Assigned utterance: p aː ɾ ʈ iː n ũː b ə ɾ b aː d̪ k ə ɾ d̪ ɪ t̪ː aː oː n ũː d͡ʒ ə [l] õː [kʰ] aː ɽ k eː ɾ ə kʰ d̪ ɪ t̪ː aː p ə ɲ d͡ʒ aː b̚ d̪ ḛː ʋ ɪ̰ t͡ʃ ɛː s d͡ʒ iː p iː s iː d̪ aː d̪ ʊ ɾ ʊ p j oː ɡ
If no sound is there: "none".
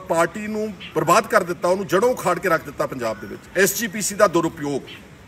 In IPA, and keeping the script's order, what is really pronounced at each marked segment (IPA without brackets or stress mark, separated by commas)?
ɽ, kʰ